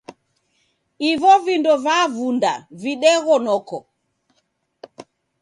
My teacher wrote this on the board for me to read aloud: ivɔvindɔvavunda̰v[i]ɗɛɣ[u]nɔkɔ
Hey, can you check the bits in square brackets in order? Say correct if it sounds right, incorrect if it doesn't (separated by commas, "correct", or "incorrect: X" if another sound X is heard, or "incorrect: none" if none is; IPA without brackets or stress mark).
correct, incorrect: ɔ